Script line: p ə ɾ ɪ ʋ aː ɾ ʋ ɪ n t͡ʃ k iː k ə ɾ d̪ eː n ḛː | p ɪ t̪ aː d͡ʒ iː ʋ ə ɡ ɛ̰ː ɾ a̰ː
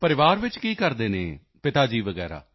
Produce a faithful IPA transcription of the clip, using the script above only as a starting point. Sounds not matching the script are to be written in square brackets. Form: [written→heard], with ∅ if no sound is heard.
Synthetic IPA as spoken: p ə ɾ ɪ ʋ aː ɾ ʋ ɪ [n→∅] t͡ʃ k iː k ə ɾ d̪ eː n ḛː | p ɪ t̪ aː d͡ʒ iː ʋ ə ɡ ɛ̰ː ɾ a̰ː